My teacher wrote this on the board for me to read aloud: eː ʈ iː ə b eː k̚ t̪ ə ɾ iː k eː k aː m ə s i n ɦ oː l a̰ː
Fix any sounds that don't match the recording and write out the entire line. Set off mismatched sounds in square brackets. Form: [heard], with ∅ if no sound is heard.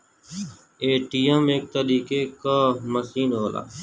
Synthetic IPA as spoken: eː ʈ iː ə [m] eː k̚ t̪ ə ɾ iː k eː k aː m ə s [iː] n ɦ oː l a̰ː